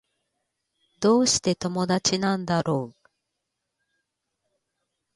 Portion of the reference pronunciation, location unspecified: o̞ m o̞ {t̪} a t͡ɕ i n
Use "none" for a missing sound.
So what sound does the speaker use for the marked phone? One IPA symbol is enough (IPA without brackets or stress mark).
d̪